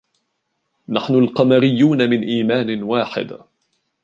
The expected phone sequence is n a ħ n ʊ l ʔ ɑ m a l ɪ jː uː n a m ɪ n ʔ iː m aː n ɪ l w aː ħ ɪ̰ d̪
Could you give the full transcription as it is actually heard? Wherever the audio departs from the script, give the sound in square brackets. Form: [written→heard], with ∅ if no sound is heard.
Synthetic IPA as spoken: n a ħ n ʊ l [ʔ→q] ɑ m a [l→ɾ] ɪ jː uː n a m ɪ n ʔ iː m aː n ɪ [l→∅] w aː ħ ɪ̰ d̪